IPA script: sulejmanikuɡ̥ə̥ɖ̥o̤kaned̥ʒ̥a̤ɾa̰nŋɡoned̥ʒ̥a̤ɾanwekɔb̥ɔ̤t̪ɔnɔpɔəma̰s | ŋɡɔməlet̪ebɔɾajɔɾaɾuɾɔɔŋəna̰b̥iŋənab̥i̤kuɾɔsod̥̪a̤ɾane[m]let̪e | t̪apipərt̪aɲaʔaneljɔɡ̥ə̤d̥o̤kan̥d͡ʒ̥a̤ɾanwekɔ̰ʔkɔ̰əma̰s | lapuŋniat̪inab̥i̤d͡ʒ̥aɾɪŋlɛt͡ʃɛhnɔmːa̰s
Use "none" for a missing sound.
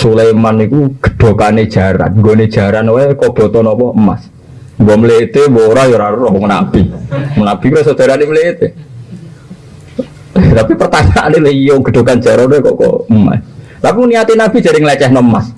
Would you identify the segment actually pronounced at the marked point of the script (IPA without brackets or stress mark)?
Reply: m